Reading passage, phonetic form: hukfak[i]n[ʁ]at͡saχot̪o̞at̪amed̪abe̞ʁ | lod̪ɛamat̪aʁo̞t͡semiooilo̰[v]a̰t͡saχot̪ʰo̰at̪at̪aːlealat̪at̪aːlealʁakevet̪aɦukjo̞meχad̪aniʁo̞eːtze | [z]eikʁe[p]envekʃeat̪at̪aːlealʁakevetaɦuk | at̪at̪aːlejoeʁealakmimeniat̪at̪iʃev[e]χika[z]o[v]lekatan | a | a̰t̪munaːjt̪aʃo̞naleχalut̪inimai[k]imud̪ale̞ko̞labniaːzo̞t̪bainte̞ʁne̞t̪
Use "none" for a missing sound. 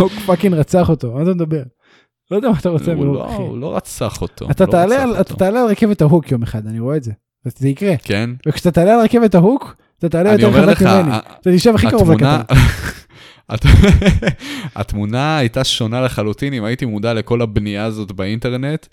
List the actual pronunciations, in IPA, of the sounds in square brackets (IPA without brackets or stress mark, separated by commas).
i, ʁ, ʁ, z, k, a, ʁ, v, t